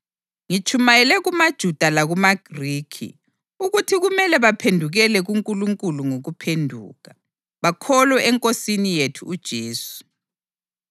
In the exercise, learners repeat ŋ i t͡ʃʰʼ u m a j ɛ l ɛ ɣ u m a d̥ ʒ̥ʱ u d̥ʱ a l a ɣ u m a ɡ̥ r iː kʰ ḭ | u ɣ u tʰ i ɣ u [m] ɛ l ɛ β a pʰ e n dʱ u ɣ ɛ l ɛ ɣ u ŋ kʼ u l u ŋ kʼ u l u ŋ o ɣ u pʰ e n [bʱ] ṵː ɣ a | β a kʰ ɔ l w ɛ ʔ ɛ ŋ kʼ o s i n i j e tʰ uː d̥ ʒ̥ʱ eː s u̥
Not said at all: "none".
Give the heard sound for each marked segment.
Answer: m, dʱ

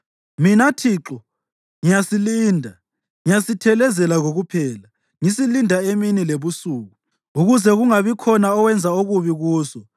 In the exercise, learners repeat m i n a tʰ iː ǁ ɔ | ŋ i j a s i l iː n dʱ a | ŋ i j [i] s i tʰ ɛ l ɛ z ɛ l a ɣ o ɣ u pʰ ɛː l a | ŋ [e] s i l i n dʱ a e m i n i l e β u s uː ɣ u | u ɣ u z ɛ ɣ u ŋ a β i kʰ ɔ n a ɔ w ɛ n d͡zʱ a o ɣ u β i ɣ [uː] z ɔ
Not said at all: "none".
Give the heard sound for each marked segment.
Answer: a, i, uː

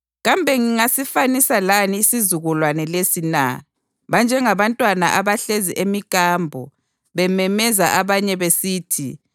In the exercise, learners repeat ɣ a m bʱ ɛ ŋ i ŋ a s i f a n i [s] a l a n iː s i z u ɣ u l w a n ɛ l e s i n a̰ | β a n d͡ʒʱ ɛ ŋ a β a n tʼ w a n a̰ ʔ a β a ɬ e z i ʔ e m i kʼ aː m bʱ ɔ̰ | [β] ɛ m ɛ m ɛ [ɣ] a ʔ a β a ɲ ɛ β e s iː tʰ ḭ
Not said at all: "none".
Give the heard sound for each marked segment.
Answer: s, β, z

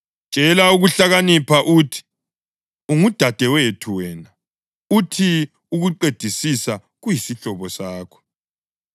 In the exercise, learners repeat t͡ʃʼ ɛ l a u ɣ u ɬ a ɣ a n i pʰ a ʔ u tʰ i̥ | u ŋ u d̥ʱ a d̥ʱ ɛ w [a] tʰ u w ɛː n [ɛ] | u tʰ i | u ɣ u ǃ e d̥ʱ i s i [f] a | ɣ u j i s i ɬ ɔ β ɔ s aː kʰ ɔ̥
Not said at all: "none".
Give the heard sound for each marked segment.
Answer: e, a, s

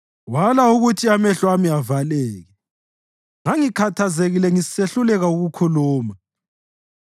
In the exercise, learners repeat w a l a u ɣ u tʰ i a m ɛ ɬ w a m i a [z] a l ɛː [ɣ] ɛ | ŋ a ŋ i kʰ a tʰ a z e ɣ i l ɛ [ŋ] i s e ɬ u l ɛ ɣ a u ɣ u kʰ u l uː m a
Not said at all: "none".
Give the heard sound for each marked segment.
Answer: v, ɣ, ŋ

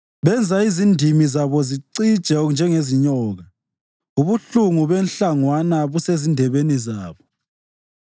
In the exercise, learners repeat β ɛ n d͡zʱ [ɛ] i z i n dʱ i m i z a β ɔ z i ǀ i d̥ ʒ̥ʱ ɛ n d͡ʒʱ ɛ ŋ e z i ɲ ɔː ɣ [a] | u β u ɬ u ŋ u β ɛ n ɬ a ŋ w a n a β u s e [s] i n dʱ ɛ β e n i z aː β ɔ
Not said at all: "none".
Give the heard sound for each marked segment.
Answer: a, a, z

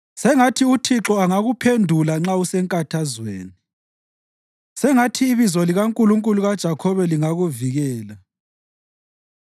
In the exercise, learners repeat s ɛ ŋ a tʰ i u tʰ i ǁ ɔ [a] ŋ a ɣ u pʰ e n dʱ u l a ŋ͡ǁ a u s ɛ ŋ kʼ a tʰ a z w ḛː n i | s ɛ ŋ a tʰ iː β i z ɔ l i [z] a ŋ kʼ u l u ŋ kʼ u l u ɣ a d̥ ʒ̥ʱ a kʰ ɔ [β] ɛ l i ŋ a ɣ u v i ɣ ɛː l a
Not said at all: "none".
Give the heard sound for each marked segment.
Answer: a, ɣ, β

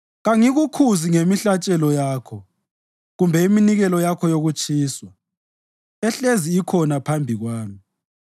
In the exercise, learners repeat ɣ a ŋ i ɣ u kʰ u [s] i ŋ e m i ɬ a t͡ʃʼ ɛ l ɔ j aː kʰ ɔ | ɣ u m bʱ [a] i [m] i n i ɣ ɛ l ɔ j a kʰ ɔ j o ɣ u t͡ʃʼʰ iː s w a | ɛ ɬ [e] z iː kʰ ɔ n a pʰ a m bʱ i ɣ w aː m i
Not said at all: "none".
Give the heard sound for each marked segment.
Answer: z, ɛ, m, e

